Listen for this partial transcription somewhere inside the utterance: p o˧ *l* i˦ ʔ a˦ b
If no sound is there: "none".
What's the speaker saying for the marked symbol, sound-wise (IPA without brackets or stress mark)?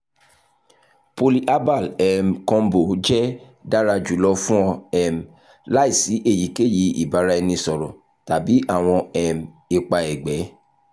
l